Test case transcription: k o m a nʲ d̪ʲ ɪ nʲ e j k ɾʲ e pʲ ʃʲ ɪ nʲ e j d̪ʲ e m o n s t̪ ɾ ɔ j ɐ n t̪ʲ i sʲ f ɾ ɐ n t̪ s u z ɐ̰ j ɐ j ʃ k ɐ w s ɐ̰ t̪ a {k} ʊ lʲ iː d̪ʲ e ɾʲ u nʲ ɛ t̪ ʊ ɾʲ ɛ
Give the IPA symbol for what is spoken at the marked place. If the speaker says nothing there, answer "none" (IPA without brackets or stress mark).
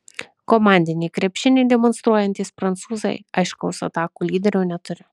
k